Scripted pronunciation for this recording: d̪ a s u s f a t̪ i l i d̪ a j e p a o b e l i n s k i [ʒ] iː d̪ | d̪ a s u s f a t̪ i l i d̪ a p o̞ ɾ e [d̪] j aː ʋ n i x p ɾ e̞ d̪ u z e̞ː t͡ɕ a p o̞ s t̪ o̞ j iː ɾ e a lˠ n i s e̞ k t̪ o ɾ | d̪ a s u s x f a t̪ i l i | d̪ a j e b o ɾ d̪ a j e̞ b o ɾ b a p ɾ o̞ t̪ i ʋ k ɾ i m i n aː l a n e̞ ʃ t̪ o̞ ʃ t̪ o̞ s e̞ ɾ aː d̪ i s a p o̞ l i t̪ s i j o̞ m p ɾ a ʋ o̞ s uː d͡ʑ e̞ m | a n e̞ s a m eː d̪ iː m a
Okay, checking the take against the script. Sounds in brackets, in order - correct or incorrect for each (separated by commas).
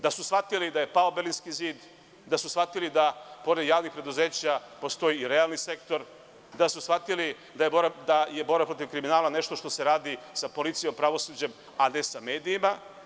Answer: incorrect, correct